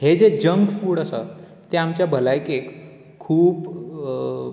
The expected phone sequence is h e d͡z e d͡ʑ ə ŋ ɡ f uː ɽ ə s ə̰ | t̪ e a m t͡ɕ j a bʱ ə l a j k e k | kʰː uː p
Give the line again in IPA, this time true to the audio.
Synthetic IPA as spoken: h e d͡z e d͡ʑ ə ŋ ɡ f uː ɽ ə s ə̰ | t̪ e a m t͡ɕ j a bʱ ə l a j k e k | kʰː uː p